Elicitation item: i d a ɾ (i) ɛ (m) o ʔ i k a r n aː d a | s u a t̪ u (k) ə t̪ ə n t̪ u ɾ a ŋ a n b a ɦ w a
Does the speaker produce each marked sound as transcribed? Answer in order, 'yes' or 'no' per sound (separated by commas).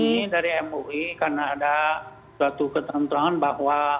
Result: yes, yes, yes